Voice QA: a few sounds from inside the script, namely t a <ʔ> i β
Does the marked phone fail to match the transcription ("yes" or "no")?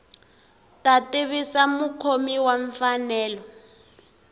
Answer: yes